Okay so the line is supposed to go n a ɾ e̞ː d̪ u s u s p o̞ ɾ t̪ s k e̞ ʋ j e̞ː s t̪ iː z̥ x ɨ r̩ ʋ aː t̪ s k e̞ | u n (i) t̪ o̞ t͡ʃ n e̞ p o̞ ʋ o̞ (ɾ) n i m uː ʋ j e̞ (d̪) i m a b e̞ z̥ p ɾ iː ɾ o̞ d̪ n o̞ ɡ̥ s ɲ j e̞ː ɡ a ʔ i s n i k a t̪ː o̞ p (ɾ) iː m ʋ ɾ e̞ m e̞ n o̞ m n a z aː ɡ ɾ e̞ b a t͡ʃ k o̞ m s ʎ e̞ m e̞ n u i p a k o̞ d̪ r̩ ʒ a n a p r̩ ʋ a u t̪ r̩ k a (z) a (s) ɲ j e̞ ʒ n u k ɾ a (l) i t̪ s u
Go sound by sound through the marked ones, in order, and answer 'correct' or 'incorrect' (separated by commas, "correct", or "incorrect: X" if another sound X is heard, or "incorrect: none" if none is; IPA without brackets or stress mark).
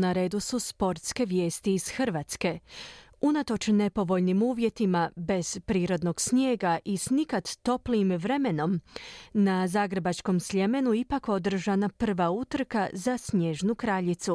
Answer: incorrect: a, incorrect: ʎ, incorrect: t̪, incorrect: l, correct, correct, incorrect: ʎ